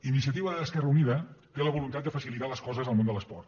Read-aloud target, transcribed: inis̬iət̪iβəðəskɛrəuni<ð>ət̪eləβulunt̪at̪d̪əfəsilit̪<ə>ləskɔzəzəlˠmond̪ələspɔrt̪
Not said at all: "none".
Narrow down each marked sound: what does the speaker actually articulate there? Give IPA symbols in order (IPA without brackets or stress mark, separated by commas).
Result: ð, a